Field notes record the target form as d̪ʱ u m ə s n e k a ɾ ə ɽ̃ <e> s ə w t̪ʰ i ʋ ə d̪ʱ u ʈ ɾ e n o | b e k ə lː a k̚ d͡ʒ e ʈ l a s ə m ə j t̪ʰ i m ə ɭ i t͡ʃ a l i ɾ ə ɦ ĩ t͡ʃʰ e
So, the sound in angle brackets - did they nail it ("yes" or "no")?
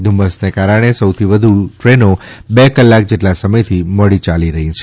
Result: yes